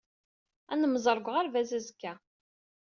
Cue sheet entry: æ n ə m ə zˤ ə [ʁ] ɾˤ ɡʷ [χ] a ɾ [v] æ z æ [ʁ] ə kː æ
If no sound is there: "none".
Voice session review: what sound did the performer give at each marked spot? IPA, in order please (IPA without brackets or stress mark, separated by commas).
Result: none, ʁ, v, z